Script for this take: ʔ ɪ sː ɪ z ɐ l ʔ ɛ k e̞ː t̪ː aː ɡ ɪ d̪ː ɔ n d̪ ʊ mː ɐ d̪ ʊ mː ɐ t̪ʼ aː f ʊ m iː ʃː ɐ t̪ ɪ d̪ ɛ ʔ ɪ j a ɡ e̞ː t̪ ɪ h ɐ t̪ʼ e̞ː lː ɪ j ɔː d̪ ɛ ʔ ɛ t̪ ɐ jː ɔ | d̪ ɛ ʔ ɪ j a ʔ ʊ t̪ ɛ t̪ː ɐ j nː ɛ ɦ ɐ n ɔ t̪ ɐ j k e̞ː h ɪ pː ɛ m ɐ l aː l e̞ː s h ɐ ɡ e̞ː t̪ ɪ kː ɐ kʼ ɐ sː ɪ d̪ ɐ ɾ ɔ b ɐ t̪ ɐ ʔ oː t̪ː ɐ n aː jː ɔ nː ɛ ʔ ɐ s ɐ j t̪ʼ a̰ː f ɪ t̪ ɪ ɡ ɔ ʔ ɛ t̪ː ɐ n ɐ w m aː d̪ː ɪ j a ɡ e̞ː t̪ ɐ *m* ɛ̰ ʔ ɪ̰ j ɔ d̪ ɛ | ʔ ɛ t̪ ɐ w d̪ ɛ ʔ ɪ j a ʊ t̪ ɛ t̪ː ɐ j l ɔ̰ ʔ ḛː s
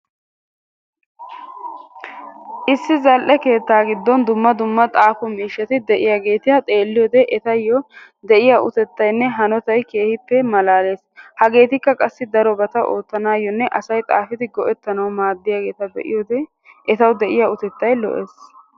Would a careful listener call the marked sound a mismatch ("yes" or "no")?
yes